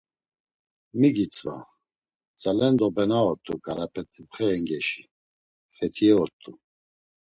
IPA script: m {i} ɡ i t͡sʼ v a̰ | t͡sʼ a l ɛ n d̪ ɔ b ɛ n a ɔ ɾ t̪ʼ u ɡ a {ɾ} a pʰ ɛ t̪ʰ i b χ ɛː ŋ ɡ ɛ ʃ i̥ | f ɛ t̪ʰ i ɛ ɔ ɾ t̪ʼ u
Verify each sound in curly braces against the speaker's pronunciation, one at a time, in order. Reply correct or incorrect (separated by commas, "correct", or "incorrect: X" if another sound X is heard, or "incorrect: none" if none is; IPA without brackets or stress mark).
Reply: correct, correct